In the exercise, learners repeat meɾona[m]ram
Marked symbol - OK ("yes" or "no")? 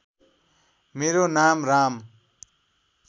yes